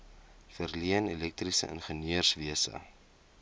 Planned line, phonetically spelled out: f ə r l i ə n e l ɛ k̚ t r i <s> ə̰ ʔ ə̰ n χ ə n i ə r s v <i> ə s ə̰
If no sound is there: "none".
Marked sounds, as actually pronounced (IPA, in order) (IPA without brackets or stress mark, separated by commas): s, i